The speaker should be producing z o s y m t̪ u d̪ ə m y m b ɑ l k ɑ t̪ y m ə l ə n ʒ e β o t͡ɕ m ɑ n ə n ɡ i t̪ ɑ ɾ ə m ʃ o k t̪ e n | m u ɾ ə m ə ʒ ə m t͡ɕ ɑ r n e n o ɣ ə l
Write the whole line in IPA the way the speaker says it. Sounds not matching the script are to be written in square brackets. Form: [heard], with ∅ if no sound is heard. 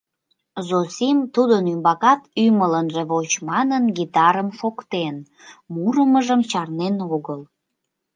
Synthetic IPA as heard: z o s [i] m t̪ u d̪ ə [n] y m b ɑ [∅] k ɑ t̪ y m ə l ə n ʒ e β o t͡ɕ m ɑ n ə n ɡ i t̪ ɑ ɾ ə m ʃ o k t̪ e n | m u ɾ ə m ə ʒ ə m t͡ɕ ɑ r n e n o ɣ ə l